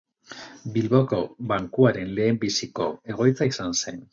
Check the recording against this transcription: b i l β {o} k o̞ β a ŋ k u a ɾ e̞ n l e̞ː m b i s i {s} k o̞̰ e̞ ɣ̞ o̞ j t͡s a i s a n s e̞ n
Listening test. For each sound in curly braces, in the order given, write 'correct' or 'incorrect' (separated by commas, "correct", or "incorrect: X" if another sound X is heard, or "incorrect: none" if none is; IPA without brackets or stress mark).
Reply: correct, incorrect: none